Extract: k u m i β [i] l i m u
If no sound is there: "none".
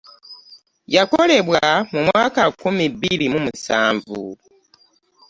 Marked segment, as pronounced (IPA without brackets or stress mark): i